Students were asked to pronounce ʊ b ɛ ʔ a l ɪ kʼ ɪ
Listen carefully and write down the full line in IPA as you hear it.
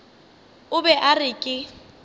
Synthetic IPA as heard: ʊ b ɛ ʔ a r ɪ kʼ ɪ